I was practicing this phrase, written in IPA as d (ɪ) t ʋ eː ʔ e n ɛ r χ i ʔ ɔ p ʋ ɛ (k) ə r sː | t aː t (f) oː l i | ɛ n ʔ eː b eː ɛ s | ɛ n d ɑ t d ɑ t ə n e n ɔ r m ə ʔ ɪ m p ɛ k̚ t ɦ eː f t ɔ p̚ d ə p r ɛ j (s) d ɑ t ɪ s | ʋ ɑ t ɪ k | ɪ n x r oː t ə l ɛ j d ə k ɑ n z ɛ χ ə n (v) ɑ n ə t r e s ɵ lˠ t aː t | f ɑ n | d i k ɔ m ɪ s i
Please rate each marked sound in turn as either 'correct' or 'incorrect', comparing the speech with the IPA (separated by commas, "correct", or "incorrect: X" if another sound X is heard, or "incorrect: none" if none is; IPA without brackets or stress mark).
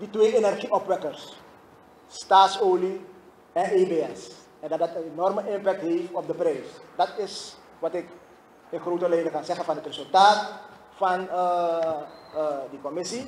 incorrect: i, correct, incorrect: s, correct, incorrect: f